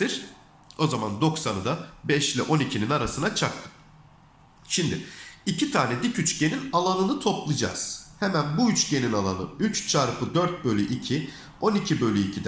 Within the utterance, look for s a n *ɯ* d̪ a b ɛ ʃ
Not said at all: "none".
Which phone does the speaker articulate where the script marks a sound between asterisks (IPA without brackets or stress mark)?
ɯ